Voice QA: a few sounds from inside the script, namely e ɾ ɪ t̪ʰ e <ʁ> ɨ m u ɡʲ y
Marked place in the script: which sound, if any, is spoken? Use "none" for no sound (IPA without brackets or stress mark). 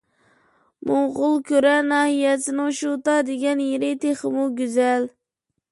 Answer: χ